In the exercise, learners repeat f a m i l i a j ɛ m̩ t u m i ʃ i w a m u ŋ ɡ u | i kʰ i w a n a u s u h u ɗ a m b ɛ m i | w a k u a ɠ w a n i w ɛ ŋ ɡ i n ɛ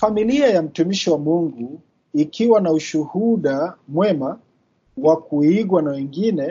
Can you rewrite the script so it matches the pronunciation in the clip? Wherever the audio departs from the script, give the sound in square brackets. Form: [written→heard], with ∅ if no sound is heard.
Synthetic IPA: f a m i l i a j [ɛ→a] m̩ t u m i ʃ i w a m u ŋ ɡ u | i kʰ i w a n a u [s→ʃ] u h u ɗ a m [b→w] ɛ m [i→a] | w a k u [a→i] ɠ w a n [i→a] w ɛ ŋ ɡ i n ɛ